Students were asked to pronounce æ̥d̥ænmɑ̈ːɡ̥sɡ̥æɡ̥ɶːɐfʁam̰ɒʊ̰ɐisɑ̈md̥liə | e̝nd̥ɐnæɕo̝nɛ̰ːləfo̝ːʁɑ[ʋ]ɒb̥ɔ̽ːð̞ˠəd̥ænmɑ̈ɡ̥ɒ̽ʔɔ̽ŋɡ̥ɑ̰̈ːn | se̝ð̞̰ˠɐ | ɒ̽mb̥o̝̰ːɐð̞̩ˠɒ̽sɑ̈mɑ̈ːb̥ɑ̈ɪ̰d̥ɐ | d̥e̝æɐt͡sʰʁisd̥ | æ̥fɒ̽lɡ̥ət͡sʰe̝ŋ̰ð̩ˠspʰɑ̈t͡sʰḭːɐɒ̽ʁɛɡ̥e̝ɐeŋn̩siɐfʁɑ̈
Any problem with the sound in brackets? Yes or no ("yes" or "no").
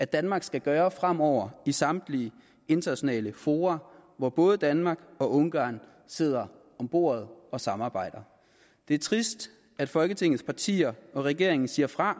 no